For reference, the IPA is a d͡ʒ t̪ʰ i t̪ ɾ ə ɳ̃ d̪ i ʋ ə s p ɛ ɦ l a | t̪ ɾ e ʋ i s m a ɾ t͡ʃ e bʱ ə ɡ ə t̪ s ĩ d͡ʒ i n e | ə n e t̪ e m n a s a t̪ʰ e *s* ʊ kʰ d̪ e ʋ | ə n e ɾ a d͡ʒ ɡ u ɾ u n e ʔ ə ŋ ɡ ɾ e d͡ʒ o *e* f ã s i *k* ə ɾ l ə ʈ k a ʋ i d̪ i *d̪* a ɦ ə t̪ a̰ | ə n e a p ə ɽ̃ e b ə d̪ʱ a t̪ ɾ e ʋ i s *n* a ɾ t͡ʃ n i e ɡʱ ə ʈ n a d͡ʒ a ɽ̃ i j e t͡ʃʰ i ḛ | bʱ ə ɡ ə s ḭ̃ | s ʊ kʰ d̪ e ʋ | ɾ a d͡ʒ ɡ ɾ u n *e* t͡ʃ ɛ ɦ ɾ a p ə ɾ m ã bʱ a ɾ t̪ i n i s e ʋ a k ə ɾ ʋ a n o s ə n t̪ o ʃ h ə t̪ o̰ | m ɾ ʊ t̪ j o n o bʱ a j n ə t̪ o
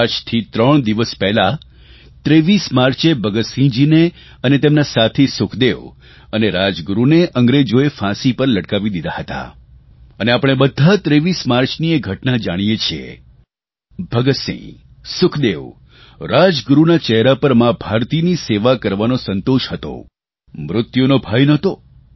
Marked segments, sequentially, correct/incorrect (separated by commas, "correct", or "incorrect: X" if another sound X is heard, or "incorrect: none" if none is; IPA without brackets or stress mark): correct, correct, incorrect: p, correct, incorrect: m, incorrect: a